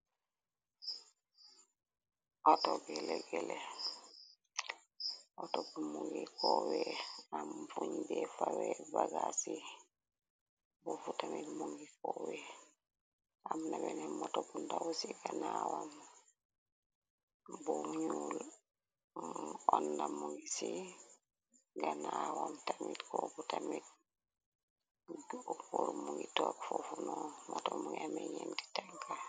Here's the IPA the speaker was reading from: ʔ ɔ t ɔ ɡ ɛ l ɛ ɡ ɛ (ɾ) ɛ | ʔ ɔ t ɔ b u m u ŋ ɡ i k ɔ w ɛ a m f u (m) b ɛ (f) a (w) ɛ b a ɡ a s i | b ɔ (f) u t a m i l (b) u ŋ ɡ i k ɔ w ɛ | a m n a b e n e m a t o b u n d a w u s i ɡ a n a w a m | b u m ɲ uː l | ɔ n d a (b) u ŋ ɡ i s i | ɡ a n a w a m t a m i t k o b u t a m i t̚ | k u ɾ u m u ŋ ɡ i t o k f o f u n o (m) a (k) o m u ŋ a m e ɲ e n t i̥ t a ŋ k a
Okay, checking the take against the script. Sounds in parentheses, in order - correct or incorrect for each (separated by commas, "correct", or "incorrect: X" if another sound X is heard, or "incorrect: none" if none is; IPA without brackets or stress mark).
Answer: incorrect: l, incorrect: ɲ, correct, correct, correct, incorrect: m, incorrect: m, correct, incorrect: t